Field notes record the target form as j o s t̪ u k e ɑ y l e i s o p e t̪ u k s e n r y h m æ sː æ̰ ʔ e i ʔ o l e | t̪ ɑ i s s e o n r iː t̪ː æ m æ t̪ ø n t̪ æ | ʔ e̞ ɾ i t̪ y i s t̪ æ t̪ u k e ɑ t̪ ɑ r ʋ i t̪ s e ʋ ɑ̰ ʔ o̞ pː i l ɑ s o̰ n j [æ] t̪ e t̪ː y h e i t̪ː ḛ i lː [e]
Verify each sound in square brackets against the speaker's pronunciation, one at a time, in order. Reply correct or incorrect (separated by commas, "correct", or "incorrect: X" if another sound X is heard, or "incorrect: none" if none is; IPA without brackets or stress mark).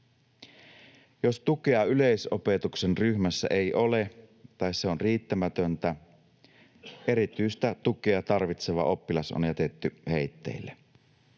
correct, correct